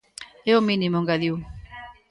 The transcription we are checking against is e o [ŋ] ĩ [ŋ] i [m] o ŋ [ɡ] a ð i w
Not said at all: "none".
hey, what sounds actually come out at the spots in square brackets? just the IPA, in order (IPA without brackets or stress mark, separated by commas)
m, n, m, ɡ